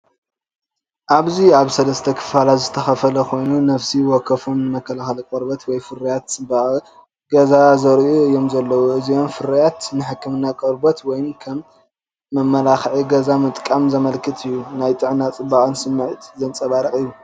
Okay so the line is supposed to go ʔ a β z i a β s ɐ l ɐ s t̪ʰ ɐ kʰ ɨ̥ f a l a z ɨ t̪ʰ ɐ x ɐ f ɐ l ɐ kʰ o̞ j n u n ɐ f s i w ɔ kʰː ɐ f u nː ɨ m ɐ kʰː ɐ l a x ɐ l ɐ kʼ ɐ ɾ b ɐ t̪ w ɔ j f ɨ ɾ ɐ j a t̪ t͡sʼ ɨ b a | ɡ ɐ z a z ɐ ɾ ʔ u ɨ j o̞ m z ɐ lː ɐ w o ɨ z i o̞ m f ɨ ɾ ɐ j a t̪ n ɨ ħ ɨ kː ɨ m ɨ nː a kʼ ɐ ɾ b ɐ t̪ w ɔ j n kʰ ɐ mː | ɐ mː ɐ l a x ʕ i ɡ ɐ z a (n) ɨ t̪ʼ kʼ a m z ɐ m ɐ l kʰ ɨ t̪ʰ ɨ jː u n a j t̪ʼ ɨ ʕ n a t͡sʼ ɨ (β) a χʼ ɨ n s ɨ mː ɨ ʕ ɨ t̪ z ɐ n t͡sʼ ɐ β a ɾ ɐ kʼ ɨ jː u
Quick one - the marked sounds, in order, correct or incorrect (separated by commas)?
incorrect, incorrect